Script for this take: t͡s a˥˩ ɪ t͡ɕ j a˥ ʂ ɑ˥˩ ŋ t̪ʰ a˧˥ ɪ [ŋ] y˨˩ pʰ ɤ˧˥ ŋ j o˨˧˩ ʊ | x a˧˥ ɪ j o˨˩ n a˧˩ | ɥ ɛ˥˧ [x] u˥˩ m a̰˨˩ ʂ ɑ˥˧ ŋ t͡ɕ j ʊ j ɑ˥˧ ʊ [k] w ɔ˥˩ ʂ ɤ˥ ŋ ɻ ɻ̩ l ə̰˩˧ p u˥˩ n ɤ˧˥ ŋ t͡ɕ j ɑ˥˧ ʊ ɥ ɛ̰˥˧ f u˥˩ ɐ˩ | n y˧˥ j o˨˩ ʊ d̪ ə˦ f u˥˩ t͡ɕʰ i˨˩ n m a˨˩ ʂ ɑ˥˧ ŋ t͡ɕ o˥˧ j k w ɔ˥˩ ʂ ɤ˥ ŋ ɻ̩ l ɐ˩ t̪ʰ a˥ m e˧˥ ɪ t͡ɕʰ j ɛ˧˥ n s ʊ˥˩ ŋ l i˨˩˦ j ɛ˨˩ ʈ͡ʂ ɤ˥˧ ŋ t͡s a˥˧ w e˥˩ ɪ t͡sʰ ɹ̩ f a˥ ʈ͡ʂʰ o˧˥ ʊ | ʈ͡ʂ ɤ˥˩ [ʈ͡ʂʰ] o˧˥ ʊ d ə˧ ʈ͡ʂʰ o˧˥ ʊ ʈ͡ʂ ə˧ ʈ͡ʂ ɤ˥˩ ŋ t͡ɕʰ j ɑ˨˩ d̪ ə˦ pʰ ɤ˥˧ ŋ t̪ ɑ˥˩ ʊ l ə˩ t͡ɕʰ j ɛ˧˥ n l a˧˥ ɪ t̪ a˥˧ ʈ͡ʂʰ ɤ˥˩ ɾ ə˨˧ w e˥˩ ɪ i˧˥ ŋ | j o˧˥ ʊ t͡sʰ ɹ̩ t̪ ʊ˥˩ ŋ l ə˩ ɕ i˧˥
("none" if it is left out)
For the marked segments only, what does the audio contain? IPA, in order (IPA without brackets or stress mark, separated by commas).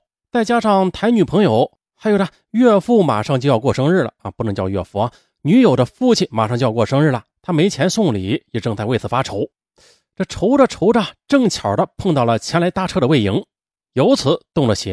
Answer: n, f, k, ʈ͡ʂʰ